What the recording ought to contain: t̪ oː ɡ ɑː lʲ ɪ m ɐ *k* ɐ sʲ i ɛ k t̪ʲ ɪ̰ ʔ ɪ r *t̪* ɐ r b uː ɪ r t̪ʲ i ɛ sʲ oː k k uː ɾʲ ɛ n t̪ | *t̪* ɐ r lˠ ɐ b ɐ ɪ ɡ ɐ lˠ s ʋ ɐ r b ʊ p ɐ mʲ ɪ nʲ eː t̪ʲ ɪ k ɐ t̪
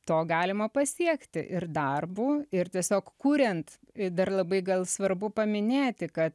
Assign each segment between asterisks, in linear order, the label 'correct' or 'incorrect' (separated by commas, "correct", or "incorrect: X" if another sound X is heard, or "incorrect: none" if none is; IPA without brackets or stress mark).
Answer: incorrect: p, incorrect: d̪, incorrect: d̪